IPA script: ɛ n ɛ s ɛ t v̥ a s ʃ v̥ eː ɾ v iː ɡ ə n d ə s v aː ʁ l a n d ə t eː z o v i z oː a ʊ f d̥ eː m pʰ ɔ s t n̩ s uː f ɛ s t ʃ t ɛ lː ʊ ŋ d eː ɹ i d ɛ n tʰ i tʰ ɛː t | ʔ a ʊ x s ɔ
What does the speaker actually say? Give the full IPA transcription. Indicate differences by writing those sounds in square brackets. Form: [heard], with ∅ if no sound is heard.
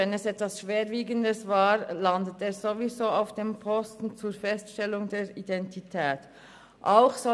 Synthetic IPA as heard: ɛ n ɛ s ɛ t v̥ a s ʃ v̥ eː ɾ v iː ɡ ə n d ə s v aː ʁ l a n d ə t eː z o v i z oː a ʊ f d̥ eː m pʰ ɔ s t n̩ [t͡s] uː f ɛ s t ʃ t ɛ [l] ʊ ŋ d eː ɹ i d ɛ n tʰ i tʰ ɛː t | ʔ a ʊ x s ɔ